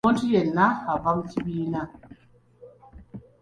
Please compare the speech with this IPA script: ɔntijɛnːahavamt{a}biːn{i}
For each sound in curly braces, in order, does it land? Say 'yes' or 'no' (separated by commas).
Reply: no, no